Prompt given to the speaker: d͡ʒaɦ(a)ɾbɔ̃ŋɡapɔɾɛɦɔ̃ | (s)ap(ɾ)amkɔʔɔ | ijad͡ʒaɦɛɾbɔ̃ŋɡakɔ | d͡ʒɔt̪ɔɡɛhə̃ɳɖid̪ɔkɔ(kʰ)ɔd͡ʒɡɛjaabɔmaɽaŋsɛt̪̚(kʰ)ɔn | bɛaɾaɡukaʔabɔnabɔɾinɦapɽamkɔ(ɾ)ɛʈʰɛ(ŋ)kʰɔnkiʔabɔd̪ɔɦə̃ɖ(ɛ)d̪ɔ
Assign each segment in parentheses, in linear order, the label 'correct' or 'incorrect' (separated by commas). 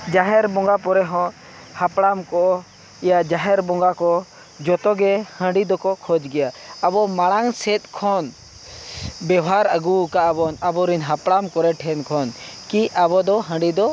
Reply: incorrect, incorrect, incorrect, correct, correct, correct, incorrect, incorrect